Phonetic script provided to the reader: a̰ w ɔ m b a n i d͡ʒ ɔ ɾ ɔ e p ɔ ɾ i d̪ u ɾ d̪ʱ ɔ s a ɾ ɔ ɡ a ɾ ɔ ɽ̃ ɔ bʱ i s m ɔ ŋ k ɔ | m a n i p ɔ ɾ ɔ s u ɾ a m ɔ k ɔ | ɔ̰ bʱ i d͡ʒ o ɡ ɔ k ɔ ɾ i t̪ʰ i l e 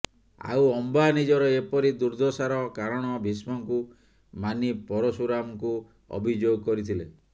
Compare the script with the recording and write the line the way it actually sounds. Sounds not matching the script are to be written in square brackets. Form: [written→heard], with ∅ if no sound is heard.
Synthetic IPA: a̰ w ɔ m b a n i d͡ʒ ɔ ɾ ɔ e p ɔ ɾ i d̪ u ɾ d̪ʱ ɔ s a ɾ ɔ [ɡ→k] a ɾ ɔ ɽ̃ ɔ bʱ i s m ɔ ŋ k [ɔ→u] | m a n i p ɔ ɾ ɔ s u ɾ a m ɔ k [ɔ→u] | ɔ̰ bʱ i d͡ʒ o ɡ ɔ k ɔ ɾ i t̪ʰ i l e